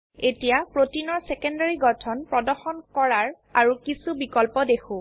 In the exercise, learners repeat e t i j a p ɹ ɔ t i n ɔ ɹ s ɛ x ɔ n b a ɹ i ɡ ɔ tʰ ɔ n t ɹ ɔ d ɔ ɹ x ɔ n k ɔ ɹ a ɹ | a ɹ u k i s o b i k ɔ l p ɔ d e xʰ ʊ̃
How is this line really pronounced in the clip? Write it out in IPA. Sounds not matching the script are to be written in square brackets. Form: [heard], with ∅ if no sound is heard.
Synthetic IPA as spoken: e t i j a p ɹ [o] t i n ɔ ɹ s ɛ [k] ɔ n [d] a ɹ i ɡ ɔ tʰ ɔ n [p] ɹ ɔ d ɔ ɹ x ɔ n k ɔ ɹ a ɹ | a ɹ u k i s [u] b i k ɔ l p ɔ d e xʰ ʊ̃